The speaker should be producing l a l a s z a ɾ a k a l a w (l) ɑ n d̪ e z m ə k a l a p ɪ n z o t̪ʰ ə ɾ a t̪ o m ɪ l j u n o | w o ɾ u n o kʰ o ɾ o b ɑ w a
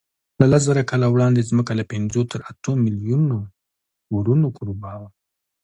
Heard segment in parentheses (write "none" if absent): ɽ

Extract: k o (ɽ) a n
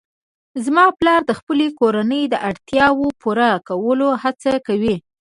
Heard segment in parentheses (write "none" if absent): ɾ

